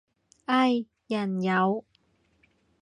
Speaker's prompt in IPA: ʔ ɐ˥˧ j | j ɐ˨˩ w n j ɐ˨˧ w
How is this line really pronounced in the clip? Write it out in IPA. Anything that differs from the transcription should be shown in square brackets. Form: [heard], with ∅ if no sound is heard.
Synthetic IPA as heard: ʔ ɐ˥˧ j | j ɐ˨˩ [∅] n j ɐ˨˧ w